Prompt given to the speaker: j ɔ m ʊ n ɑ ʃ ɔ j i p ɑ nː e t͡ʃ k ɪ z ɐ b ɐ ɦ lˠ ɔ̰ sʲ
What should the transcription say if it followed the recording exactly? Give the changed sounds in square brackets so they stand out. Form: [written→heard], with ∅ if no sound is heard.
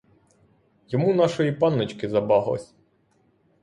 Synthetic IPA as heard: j ɔ m [ʊ→u] n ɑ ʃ ɔ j i p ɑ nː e t͡ʃ k ɪ z ɐ b [ɐ→ɑ] ɦ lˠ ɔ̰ sʲ